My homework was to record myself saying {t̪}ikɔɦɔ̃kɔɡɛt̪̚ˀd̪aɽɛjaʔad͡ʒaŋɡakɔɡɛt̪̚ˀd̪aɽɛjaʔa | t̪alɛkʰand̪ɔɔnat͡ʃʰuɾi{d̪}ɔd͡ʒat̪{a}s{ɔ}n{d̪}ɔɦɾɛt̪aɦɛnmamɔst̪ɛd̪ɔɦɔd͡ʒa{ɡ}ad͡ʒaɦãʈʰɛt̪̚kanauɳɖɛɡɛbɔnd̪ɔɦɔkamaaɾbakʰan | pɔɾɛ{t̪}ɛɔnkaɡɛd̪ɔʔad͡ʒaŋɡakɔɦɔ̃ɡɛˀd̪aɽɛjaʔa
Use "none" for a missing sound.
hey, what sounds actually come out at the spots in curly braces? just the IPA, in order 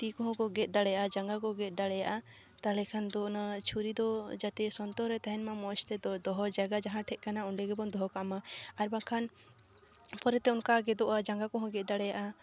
t̪, d̪, ɛ, ɔ, t̪, ɡ, t̪

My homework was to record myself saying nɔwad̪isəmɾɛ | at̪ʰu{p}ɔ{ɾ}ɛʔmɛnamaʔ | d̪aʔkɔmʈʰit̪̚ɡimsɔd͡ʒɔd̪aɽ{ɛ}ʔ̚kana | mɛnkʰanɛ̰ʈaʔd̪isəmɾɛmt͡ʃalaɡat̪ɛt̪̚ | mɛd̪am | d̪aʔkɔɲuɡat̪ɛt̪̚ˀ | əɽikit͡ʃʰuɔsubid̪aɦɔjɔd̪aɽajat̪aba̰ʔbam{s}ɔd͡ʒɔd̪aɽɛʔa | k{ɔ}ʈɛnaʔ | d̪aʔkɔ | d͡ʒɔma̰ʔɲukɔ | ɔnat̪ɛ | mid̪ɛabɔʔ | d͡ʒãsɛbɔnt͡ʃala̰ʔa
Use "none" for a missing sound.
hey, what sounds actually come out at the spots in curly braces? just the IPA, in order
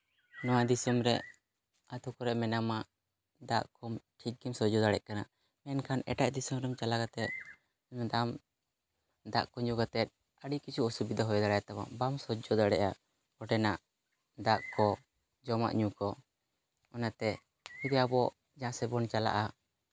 k, ɾ, ɛ, s, ɔ

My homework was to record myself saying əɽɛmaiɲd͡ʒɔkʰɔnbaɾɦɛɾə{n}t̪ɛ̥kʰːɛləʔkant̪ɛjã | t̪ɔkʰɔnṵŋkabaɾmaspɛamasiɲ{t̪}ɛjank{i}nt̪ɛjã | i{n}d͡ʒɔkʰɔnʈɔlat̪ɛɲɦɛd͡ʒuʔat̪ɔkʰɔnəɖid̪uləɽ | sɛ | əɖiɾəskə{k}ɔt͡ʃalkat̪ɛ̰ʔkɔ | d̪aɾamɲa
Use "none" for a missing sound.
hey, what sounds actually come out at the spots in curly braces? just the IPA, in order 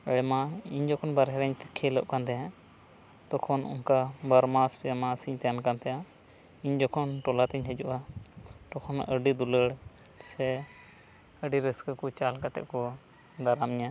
ɲ, t̪, a, ɲ, k

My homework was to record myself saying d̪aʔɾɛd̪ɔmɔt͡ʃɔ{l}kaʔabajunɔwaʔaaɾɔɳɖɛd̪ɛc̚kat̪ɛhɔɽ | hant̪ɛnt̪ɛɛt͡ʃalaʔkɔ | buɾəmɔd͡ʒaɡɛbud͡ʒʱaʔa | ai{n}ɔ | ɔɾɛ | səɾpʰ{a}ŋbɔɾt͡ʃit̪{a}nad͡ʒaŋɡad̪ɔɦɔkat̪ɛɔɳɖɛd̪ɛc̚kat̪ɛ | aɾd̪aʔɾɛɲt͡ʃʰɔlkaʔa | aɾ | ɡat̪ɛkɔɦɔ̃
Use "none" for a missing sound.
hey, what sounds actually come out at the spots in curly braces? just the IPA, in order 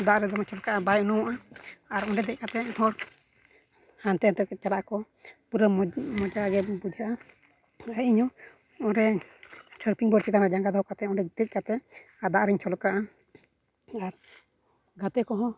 l, ɲ, i, a

